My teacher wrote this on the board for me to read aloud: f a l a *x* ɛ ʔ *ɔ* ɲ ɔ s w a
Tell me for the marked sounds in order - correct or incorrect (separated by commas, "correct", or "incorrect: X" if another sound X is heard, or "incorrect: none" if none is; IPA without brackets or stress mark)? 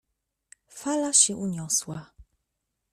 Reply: incorrect: ɕ, incorrect: u